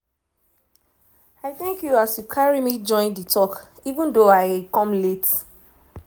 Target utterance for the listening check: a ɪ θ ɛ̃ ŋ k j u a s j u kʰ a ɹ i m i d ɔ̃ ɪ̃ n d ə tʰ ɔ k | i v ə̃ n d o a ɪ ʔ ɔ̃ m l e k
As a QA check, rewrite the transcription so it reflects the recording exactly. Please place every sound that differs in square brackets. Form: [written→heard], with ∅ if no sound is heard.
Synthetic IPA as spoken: a ɪ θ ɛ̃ ŋ k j u a s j u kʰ a ɹ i m i [d→d͡ʒ] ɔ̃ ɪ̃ n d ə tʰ ɔ k | i v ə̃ n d o a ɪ [ʔ→k] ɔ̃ m l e [k→t]